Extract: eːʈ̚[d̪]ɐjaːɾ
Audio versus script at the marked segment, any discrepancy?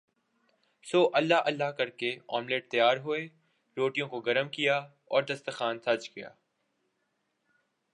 yes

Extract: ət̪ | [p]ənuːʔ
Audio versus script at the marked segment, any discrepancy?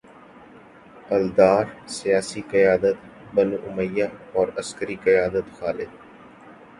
yes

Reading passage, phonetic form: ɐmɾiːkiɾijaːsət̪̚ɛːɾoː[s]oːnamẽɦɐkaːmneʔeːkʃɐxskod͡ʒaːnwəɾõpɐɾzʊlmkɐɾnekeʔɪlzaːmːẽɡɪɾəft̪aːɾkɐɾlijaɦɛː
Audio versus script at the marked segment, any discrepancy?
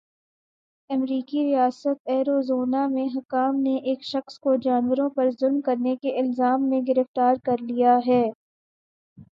yes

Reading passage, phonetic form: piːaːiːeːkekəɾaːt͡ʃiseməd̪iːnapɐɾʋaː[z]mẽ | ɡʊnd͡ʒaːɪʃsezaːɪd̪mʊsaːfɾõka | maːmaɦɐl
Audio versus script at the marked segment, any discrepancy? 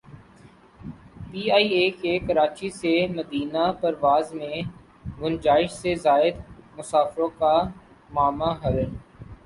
no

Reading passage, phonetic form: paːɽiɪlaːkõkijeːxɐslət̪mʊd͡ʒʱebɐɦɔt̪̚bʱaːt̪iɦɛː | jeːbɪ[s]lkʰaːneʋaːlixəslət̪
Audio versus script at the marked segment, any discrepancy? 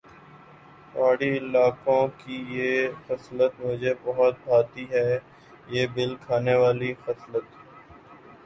yes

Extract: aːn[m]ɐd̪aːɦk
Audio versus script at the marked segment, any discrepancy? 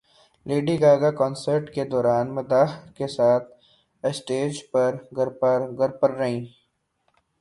no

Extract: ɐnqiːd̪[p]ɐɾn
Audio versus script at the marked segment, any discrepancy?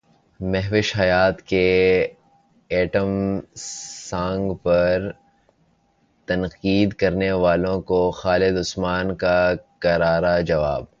yes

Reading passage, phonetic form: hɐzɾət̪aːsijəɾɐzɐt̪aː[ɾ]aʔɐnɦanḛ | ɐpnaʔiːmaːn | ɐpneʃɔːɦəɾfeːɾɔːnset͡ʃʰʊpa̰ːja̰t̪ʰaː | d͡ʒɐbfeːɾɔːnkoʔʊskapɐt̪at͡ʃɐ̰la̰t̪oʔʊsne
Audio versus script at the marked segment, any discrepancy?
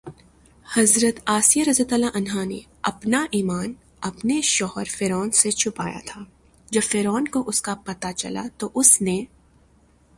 yes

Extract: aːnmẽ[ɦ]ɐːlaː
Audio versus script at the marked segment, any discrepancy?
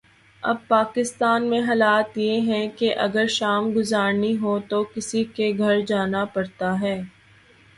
no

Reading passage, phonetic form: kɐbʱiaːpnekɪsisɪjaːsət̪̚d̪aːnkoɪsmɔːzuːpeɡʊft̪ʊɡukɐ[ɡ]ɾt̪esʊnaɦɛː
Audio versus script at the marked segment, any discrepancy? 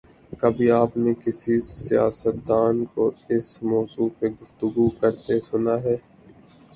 yes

